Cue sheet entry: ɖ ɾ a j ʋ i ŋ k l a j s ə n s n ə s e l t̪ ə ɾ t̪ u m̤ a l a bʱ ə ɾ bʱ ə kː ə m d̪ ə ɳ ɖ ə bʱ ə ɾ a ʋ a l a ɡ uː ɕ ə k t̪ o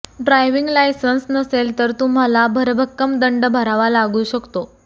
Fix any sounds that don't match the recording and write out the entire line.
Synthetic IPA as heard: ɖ ɾ a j ʋ i ŋ ɡ l a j s ə n s n ə s e l t̪ ə ɾ t̪ u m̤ a l a bʱ ə ɾ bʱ ə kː ə m d̪ ə ɳ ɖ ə bʱ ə ɾ a ʋ a l a ɡ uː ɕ ə k t̪ o